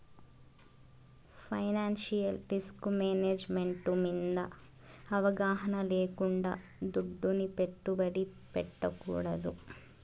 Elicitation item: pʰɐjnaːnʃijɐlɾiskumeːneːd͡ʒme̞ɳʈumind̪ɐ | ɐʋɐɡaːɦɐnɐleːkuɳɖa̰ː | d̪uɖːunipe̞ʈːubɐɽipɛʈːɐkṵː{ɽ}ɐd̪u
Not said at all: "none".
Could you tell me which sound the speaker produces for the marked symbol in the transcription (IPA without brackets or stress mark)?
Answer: ɽ